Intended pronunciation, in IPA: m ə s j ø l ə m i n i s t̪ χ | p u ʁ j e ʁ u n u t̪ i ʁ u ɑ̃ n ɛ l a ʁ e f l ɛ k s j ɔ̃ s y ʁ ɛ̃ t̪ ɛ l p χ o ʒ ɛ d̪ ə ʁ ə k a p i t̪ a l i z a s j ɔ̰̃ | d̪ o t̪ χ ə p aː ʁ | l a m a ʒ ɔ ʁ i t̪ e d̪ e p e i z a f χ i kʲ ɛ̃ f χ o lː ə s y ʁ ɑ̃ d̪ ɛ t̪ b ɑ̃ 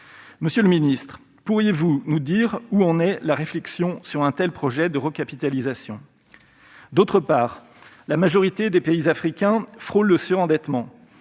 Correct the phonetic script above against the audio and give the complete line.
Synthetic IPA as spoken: m ə s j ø l ə m i n i s t̪ χ | p u ʁ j e v u n u d̪ i ʁ u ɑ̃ n ɛ l a ʁ e f l ɛ k s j ɔ̃ s y ʁ ɛ̃ t̪ ɛ l p χ ɔ ʒ ɛ d̪ ə ʁ ə k a p i t̪ a l i z a s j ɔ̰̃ | d̪ o t̪ χ ə p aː ʁ | l a m a ʒ ɔ ʁ i t̪ e d̪ e p e i z a f χ i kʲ ɛ̃ f χ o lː ə s y ʁ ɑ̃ d̪ ɛ t̪ m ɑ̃